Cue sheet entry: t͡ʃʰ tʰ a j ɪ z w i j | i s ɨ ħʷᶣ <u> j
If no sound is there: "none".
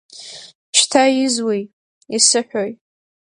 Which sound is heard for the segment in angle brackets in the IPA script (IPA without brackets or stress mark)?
o